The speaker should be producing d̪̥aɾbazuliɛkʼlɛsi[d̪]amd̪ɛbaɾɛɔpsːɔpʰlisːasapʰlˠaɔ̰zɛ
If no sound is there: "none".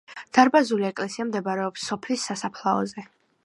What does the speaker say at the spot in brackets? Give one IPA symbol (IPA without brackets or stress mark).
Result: none